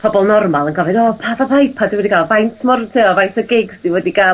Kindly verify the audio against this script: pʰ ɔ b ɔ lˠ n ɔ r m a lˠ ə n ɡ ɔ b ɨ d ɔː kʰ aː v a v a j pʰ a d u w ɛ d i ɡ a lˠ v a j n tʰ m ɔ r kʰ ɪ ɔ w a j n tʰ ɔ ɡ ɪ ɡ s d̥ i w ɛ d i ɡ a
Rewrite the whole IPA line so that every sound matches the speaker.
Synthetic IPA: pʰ ɔ b ɔ lˠ n ɔ r m a lˠ ə n ɡ ɔ v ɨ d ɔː pʰ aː v a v a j pʰ a d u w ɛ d i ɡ a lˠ v a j n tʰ m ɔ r tʰ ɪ ɔ v a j n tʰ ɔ ɡ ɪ ɡ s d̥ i w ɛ d i ɡ a

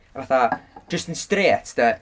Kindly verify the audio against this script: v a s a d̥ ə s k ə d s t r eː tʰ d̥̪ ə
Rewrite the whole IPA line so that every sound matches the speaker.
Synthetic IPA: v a θ a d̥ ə s t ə n s t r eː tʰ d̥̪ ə

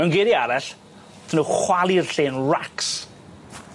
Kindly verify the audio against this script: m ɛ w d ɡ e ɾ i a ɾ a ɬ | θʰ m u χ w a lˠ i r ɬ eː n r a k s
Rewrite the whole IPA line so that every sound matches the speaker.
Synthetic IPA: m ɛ w n ɡ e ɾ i a ɾ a ɬ | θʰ n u χ w a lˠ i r ɬ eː n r a k s

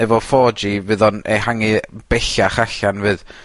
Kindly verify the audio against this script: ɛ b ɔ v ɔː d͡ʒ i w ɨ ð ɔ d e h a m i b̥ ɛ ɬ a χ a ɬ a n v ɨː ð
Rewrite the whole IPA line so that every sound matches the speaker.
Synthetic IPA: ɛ v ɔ f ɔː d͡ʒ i v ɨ ð ɔ n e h a ŋ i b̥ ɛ ɬ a χ a ɬ a n v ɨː ð

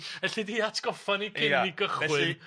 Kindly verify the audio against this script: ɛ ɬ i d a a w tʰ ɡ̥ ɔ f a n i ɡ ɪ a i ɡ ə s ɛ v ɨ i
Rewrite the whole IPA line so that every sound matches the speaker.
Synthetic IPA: ɛ ɬ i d i a tʰ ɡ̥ ɔ f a n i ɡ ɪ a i ɡ ə χ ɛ w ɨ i

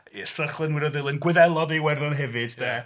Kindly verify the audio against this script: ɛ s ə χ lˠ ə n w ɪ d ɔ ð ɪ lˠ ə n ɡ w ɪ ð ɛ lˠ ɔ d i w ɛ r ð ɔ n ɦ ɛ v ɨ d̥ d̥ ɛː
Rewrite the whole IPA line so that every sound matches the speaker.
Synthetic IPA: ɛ s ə χ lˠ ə n w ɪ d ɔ ð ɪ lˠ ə n ɡ w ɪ ð ɛ lˠ ɔ d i w ɛ r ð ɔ n ɦ ɛ v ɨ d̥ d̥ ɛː

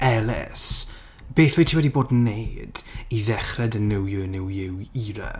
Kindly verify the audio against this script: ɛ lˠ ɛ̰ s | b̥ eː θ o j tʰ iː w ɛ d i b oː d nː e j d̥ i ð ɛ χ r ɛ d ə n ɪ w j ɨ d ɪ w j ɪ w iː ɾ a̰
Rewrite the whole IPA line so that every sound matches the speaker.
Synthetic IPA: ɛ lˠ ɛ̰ s | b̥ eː θ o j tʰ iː w ɛ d i b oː d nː e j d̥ i ð ɛ χ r ɛ d ə n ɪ w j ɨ n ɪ w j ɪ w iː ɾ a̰

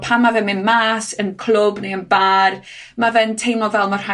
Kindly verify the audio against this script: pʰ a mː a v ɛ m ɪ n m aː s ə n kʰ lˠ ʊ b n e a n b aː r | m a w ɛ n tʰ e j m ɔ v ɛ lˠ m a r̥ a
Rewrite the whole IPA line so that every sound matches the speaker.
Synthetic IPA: pʰ a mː a v ɛ m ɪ n m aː s ə n kʰ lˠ ʊ b n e ə n b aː r | m a v ɛ n tʰ e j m ɔ v ɛ lˠ m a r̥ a

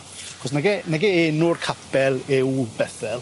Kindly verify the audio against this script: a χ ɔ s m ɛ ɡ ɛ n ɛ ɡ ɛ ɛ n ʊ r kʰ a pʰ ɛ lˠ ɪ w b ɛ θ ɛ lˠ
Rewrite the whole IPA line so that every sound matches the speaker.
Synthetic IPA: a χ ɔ s n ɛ ɡ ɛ n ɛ ɡ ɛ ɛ n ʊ r kʰ a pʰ ɛ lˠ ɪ w b ɛ θ ɛ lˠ

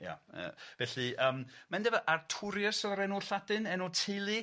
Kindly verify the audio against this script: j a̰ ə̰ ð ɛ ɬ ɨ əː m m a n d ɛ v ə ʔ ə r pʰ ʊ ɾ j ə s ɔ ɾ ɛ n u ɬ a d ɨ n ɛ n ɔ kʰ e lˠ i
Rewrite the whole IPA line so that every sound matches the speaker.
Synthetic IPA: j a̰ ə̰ v ɛ ɬ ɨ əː m m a n d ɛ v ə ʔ a r tʰ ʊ ɾ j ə s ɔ ɾ ɛ n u ɬ a d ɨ n ɛ n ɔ tʰ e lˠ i

